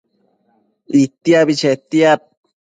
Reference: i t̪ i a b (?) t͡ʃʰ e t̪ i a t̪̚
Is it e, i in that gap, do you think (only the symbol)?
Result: i